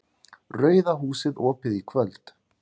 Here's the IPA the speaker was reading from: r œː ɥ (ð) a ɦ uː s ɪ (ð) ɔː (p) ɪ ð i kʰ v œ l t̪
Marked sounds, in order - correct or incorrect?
correct, correct, correct

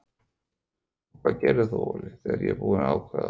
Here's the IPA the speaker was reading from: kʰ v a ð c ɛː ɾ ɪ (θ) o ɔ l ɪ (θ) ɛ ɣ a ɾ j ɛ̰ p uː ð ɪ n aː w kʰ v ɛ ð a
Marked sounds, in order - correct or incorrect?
correct, correct

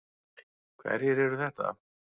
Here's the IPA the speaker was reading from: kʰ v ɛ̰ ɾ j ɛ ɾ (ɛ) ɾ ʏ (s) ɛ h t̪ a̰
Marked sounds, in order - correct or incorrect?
correct, incorrect: θ

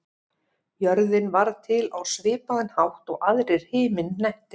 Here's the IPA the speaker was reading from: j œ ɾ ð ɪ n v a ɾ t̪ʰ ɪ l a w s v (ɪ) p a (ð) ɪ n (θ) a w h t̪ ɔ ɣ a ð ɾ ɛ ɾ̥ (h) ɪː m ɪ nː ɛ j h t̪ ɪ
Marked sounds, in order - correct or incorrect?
incorrect: ɪː, correct, incorrect: h, correct

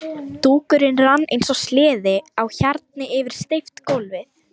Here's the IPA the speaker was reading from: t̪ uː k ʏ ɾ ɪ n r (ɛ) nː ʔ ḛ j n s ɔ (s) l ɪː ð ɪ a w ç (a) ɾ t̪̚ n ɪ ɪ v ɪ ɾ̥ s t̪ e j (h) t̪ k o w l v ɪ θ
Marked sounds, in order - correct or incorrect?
incorrect: a, correct, correct, incorrect: f

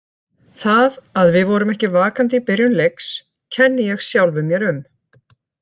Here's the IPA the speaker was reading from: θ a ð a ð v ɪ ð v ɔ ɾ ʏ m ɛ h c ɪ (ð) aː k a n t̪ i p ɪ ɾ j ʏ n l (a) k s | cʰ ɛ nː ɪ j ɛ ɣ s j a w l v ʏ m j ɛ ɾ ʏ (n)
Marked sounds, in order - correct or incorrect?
incorrect: v, incorrect: e, incorrect: m

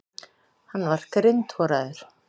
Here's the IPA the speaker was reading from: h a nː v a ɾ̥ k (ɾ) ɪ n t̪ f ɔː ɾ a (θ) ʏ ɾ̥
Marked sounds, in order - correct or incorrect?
correct, incorrect: ð

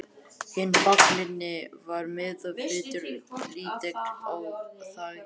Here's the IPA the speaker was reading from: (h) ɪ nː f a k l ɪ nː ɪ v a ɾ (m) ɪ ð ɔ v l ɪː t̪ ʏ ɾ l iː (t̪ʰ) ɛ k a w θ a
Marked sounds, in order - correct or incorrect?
correct, correct, incorrect: t̪

